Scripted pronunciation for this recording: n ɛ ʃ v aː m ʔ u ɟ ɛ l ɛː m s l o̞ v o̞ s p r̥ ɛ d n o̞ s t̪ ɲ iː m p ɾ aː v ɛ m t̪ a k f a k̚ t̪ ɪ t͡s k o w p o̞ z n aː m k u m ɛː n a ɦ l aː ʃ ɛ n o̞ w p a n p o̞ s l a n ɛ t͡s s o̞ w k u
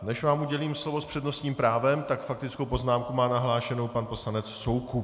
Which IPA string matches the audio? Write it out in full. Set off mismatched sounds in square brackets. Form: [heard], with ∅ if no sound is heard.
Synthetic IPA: n ɛ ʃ v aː m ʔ u ɟ ɛ l [iː] m s l o̞ v o̞ s p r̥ ɛ d n o̞ s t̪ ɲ iː m p ɾ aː v ɛ m t̪ a k f a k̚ t̪ ɪ t͡s k o w p o̞ z n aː m k u m [aː] n a ɦ l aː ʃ ɛ n o̞ w p a n p o̞ s l a n ɛ t͡s s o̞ w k u

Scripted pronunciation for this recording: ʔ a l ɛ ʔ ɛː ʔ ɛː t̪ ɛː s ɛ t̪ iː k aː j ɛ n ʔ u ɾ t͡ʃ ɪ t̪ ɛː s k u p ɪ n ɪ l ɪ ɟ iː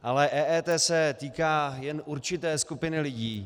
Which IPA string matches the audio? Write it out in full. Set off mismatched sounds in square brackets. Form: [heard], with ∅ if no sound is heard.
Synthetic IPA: ʔ a l ɛ ʔ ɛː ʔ ɛː t̪ ɛː s ɛ t̪ iː k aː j ɛ n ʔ u ɾ t͡ʃ ɪ t̪ ɛː s k u p ɪ n ɪ l ɪ ɟ iː

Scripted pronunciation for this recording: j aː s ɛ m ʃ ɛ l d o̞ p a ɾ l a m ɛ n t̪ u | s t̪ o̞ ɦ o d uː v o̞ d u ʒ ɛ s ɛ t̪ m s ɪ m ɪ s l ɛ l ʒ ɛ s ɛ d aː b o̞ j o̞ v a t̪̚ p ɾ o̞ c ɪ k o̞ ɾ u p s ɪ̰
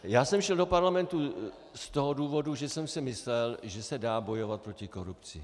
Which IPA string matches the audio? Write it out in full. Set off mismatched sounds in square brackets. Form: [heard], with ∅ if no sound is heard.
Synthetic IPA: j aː s ɛ m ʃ ɛ l d o̞ p a ɾ l a m ɛ n t̪ u | s t̪ o̞ ɦ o d uː v o̞ d u ʒ ɛ s ɛ [∅] m s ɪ m ɪ s l ɛ l ʒ ɛ s ɛ d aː b o̞ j o̞ v a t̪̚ p ɾ o̞ c ɪ k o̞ ɾ u p [t͡s] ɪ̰

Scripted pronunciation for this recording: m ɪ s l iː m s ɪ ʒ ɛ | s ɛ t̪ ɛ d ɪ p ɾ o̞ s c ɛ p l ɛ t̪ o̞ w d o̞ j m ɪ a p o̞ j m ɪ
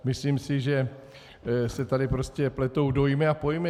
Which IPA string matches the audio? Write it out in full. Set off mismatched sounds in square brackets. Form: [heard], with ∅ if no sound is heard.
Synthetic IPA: m ɪ s l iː m s ɪ ʒ ɛ | s ɛ t̪ [a] d ɪ p ɾ o̞ s c ɛ p l ɛ t̪ o̞ w d o̞ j m ɪ a p o̞ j m ɪ

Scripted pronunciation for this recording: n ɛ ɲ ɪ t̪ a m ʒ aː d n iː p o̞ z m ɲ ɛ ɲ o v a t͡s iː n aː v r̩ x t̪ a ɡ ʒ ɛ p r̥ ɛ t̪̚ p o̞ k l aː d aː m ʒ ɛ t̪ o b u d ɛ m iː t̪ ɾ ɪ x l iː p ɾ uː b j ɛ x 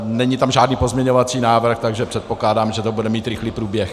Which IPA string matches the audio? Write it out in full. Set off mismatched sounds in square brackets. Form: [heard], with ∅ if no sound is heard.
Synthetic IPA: n ɛ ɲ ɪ t̪ a m ʒ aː d n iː p o̞ z m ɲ ɛ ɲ o v a t͡s iː n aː v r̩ x t̪ a ɡ ʒ ɛ p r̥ ɛ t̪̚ p o̞ k l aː d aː m ʒ ɛ t̪ o b u d ɛ m iː t̪ ɾ ɪ x l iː p ɾ uː b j ɛ x

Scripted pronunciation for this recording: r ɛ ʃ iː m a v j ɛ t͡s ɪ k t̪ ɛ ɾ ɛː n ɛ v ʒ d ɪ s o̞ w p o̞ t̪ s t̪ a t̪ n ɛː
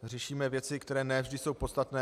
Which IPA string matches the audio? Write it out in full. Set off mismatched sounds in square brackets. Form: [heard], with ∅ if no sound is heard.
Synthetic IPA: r ɛ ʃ iː m [ɛ] v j ɛ t͡s ɪ k t̪ ɛ ɾ ɛː n ɛ v ʒ d ɪ s o̞ w p o̞ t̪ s t̪ a t̪ n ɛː

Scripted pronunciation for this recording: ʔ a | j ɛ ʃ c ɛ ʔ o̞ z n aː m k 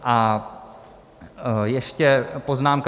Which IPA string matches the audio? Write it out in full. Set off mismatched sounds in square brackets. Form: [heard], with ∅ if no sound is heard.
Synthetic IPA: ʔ a | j ɛ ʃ c ɛ [p] o̞ z n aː m k

